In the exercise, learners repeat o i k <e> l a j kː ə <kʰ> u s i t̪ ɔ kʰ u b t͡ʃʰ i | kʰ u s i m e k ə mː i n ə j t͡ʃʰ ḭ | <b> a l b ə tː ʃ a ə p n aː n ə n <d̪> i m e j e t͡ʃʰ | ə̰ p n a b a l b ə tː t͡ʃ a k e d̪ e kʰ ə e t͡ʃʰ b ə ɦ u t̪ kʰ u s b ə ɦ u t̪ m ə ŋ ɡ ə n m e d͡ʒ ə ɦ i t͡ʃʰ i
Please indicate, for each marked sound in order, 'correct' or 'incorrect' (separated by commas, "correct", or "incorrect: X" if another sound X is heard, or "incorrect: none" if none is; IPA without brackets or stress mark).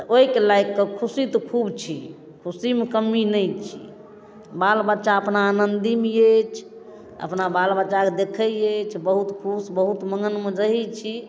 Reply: correct, correct, correct, correct